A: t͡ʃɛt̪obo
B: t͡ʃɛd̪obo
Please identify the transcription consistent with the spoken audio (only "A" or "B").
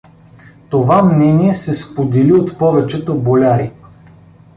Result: A